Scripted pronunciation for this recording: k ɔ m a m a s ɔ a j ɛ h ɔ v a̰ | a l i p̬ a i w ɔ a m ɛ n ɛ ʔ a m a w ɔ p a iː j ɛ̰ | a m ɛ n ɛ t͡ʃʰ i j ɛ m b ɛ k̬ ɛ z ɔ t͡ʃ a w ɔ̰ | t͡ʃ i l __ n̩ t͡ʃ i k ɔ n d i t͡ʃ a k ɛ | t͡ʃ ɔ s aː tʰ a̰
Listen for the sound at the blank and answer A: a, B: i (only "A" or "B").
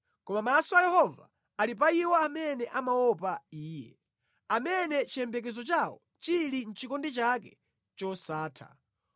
B